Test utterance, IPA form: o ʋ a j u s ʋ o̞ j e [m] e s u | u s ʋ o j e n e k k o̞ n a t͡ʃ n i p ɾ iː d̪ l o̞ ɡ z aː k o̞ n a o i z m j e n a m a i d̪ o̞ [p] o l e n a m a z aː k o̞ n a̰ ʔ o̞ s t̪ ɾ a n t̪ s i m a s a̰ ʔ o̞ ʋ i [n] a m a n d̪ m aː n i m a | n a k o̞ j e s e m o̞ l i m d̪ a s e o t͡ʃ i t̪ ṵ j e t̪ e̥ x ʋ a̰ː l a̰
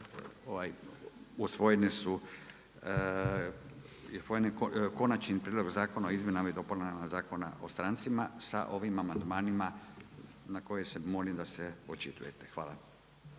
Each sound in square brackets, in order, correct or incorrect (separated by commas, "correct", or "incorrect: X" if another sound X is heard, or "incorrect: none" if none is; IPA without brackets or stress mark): incorrect: n, correct, incorrect: m